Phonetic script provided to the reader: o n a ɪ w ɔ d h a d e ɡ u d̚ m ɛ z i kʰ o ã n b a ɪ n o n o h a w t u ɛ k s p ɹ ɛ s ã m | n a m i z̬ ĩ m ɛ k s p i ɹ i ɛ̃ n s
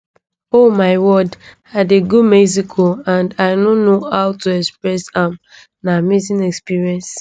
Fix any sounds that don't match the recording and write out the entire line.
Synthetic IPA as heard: o m a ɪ w ɔ d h a d e ɡ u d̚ m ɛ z i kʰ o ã n d a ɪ n o n o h a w t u ɛ k s p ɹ ɛ s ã m | n a m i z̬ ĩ n ɛ k s p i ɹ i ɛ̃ n s